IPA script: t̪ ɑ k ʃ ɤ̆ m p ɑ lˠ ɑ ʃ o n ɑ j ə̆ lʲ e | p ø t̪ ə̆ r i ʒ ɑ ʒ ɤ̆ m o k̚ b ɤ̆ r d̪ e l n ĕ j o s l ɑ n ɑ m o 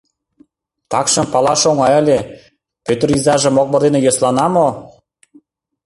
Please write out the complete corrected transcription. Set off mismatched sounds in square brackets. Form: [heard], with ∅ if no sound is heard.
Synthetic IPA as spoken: t̪ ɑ k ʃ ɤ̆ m p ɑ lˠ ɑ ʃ o [ŋ] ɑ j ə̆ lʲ e | p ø t̪ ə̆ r i [z] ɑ ʒ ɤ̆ m o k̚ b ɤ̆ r d̪ e [∅] n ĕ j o s l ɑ n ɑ m o